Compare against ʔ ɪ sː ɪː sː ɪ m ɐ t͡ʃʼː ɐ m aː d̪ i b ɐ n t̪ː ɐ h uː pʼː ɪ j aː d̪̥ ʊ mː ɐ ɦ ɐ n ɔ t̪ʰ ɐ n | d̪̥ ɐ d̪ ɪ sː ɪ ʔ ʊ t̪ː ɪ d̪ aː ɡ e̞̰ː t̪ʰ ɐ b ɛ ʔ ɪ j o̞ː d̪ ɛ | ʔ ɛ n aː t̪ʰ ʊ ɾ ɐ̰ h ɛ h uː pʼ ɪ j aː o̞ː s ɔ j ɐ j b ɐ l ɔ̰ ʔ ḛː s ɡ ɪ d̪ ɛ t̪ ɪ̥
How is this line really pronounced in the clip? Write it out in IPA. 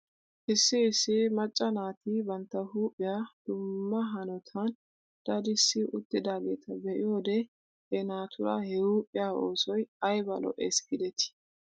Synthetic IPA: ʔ ɪ sː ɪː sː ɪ m ɐ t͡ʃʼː ɐ n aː t̪ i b ɐ n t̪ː ɐ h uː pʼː ɪ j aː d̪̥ ʊ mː ɐ ɦ ɐ n ɔ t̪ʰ ɐ n | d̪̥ ɐ d̪ ɪ sː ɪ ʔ ʊ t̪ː ɪ d̪ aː ɡ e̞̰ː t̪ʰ ɐ b ɛ ʔ ɪ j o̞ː d̪ ɛ | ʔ ɛ n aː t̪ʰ ʊ ɾ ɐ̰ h ɛ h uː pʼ ɪ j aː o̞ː s ɔ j ɐ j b ɐ l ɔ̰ ʔ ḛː s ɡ ɪ d̪ ɛ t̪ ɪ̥